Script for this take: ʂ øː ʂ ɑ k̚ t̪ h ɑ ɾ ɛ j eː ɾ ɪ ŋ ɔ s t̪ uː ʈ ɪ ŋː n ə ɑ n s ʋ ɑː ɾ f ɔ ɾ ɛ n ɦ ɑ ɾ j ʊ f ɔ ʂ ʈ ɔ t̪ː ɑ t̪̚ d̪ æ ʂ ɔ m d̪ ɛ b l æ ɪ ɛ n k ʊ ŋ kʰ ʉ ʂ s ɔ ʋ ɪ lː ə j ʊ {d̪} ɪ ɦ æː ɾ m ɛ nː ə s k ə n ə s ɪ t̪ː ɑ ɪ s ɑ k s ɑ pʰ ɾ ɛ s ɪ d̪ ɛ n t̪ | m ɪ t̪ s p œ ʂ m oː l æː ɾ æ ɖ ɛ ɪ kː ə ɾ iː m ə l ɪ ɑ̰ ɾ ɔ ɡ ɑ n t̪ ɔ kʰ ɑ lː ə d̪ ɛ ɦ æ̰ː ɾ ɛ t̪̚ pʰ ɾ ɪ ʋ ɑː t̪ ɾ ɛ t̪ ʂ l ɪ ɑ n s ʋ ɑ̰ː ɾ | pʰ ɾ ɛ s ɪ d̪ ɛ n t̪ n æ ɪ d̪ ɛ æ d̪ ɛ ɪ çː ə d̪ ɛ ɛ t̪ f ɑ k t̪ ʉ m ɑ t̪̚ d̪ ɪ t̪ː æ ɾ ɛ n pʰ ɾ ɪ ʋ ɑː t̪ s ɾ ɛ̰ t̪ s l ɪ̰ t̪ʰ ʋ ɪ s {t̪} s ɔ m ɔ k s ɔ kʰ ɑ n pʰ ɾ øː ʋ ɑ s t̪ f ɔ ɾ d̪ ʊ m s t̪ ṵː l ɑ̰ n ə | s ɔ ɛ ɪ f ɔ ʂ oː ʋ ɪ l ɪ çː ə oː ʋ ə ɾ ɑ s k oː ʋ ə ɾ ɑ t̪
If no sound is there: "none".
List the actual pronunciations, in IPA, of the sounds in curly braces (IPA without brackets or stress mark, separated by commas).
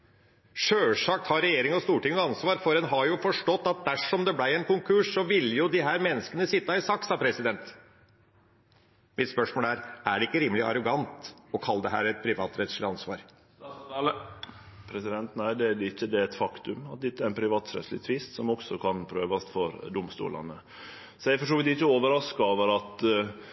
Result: d̪, t̪